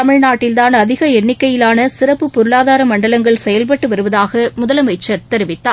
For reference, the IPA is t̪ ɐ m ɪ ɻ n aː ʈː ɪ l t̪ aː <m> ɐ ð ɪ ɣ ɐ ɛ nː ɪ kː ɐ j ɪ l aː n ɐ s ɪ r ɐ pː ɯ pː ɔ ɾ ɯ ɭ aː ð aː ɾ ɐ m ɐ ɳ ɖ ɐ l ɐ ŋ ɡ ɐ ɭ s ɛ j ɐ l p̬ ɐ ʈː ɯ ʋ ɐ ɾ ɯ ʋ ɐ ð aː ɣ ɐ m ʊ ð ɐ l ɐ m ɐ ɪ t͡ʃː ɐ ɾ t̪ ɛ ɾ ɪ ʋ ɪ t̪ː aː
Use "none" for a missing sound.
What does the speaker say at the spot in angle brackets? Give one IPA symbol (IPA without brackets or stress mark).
n